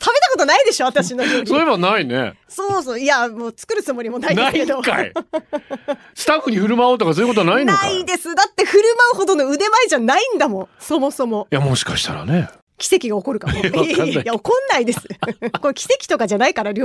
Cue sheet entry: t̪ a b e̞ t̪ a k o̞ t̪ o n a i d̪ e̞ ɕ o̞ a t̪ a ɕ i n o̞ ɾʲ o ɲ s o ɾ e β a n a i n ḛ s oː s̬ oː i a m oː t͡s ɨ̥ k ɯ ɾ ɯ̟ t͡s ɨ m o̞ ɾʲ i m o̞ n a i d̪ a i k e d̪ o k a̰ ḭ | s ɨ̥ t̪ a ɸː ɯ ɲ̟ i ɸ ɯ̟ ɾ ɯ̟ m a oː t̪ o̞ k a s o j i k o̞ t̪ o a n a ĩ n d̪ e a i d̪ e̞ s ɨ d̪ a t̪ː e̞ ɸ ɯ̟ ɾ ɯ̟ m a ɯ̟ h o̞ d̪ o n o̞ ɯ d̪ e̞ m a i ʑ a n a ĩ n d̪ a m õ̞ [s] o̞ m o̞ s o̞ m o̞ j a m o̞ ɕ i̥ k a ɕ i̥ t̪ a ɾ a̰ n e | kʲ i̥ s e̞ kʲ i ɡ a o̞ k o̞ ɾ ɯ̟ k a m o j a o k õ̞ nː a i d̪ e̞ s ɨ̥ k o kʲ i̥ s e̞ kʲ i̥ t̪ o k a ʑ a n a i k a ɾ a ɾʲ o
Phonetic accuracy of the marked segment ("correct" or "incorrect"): correct